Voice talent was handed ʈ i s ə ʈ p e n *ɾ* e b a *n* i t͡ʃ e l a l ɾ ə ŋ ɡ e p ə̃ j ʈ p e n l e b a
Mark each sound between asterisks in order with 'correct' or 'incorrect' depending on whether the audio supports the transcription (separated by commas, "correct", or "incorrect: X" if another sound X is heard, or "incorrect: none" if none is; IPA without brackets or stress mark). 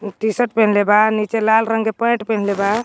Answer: incorrect: l, correct